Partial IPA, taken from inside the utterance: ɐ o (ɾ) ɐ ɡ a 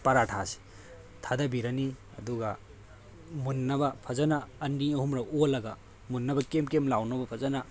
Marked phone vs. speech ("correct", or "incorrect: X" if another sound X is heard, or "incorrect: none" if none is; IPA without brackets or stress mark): incorrect: l